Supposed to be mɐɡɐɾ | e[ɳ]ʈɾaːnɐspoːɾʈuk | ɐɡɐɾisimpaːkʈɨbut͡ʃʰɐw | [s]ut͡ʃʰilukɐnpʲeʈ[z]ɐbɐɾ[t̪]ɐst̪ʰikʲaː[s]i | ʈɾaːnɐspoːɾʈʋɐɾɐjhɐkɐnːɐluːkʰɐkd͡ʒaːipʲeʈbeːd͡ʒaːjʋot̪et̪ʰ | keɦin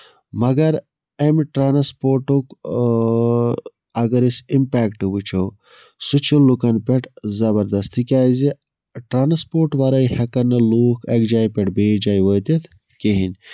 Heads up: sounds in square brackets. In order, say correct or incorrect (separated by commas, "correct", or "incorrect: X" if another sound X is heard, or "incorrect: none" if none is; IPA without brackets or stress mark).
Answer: incorrect: m, correct, correct, incorrect: d̪, incorrect: z